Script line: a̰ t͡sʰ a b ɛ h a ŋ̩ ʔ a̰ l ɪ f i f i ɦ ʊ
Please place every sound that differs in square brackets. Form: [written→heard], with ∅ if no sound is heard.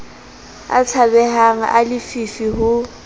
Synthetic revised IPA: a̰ t͡sʰ a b ɛ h a ŋ̩ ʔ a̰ l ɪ f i f i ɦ ʊ